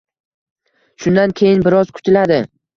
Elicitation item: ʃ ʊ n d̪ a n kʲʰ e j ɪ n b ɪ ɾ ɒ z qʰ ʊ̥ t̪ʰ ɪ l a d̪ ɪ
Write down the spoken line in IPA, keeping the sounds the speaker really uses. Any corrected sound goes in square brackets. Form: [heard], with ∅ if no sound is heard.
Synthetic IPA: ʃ ʊ n d̪ a n kʲʰ e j ɪ n b ɪ ɾ ɒ z [kʰ] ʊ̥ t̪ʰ ɪ l a d̪ ɪ